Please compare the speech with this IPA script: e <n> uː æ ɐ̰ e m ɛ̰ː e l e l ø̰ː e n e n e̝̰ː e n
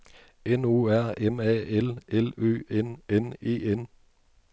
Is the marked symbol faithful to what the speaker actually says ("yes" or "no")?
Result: yes